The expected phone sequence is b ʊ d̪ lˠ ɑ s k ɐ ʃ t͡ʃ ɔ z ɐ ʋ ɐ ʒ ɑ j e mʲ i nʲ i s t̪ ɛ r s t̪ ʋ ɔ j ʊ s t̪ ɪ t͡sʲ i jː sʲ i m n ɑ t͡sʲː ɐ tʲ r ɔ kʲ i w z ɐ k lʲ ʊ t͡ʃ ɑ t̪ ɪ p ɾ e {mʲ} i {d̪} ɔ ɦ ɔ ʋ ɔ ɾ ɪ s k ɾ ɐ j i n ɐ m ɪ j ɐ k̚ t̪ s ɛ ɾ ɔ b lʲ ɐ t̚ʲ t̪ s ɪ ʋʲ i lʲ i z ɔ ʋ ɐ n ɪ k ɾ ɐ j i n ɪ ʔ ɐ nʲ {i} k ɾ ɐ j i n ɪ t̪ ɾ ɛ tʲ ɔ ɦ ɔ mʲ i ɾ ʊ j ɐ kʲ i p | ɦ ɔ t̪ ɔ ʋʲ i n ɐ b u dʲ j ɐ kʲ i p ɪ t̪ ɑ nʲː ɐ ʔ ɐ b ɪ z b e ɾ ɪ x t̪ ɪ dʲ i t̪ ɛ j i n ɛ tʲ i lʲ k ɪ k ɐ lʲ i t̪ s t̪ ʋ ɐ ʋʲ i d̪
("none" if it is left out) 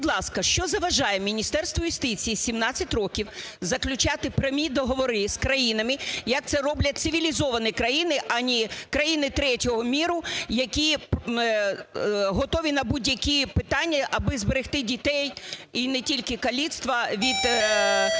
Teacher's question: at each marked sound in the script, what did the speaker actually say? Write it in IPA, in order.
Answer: mʲ, d̪, i

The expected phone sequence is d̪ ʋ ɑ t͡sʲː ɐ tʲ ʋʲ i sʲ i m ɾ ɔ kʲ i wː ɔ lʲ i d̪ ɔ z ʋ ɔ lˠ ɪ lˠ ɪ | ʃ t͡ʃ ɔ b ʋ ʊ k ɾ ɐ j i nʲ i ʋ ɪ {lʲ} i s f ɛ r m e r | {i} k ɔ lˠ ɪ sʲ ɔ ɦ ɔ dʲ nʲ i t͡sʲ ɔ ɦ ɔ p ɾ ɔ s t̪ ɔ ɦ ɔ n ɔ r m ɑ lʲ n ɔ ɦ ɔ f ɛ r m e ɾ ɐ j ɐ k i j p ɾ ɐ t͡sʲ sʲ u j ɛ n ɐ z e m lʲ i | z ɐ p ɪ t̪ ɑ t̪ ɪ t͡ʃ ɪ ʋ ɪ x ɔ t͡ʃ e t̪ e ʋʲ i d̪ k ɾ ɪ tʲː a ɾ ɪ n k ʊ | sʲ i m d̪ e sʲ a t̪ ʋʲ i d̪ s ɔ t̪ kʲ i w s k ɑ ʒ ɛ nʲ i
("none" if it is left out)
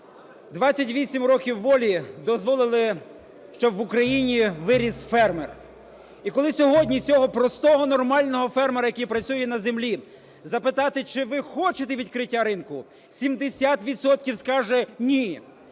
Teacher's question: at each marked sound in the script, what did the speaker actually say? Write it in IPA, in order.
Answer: ɾʲ, i

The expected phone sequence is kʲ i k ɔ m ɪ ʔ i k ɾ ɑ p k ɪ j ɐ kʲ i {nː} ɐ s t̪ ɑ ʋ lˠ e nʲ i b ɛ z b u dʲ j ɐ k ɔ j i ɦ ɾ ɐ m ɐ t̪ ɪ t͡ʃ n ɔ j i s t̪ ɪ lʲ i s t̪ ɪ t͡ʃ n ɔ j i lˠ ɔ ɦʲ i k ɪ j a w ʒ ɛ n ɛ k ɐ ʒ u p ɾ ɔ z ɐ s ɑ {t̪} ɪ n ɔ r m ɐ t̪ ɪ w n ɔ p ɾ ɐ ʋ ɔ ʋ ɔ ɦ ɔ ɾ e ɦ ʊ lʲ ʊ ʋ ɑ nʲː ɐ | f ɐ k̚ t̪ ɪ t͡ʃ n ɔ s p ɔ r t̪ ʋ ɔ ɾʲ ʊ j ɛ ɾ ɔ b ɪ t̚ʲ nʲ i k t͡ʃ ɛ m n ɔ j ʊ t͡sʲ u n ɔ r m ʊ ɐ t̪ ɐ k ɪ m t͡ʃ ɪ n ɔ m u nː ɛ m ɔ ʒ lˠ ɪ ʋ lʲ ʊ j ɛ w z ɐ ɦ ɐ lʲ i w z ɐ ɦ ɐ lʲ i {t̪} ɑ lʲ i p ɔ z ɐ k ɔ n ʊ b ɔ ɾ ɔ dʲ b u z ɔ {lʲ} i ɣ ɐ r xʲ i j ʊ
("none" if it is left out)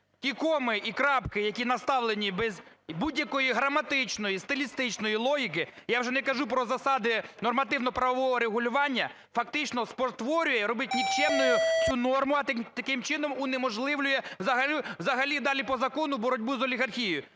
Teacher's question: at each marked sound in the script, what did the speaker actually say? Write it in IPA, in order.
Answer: n, d̪, d̪, lʲ

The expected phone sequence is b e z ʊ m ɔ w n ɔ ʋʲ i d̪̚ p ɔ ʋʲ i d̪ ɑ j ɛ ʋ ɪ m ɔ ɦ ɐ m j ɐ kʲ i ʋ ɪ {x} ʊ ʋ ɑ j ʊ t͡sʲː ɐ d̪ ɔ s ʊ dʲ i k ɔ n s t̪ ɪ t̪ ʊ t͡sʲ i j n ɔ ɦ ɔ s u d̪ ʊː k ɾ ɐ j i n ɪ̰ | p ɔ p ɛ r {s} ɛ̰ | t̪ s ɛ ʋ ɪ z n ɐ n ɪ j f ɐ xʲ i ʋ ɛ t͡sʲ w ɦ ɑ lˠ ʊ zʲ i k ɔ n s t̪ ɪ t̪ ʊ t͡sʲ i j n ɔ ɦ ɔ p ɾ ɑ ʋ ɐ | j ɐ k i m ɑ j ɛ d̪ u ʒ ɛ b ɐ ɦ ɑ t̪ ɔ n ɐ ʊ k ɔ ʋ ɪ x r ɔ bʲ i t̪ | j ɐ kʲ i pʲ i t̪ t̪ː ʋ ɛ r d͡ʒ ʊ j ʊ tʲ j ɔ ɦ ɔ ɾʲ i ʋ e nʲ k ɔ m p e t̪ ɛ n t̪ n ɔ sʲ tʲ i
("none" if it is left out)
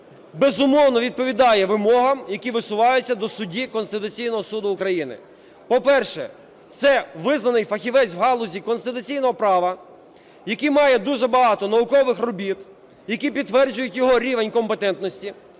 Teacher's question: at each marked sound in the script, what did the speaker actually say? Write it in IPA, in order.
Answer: s, ʃ

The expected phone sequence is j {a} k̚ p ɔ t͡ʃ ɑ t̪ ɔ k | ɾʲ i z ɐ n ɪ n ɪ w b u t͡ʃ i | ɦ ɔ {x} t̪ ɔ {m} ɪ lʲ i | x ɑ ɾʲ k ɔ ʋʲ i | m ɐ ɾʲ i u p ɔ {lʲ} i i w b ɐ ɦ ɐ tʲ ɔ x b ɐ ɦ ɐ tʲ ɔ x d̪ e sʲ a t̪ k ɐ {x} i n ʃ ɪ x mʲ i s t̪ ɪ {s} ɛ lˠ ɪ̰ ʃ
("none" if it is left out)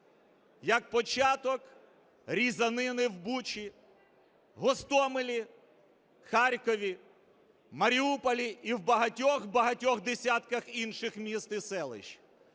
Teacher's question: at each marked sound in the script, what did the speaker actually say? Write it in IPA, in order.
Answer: ɐ, s, m, lʲ, x, s

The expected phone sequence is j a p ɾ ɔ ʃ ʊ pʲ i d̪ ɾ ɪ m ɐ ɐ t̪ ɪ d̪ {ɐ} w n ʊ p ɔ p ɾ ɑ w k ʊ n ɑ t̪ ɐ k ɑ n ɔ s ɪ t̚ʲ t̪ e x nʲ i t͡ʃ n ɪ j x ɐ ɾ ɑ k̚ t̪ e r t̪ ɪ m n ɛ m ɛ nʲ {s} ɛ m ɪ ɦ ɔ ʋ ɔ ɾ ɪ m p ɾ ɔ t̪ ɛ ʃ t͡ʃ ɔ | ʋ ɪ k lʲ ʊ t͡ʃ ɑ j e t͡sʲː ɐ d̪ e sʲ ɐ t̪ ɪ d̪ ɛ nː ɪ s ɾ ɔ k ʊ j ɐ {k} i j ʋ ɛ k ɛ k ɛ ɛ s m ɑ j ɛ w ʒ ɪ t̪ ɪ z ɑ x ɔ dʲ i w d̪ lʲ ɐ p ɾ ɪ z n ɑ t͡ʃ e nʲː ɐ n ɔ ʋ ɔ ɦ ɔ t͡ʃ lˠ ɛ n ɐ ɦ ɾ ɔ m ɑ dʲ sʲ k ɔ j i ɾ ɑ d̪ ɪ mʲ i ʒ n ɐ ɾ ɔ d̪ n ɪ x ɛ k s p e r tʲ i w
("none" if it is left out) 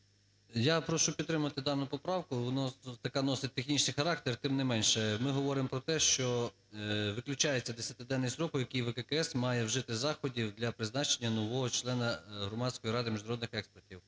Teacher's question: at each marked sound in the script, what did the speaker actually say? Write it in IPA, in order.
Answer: ɑ, ʃ, k

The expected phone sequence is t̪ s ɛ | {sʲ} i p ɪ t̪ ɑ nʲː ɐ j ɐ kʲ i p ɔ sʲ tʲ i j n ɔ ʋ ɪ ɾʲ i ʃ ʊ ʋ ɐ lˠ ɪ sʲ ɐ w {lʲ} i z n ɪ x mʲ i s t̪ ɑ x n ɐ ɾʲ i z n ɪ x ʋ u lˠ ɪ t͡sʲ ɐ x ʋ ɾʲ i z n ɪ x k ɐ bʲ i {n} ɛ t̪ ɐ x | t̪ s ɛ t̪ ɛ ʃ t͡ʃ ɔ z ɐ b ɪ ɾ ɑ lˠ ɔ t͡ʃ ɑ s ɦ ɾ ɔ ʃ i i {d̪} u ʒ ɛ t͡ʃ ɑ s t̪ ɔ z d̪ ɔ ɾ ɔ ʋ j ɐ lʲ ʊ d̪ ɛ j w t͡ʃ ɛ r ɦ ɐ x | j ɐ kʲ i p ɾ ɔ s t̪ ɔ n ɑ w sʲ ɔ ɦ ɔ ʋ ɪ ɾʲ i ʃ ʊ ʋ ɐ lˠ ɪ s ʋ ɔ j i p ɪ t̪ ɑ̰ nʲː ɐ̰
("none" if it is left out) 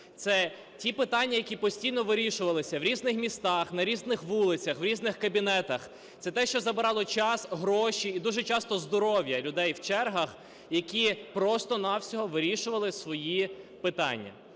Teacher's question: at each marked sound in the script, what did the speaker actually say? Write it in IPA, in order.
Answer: tʲ, ɾʲ, n, d̪

